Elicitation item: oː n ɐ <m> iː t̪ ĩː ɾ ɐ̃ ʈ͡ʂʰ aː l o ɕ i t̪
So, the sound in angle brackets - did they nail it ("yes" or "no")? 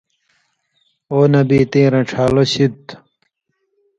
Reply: no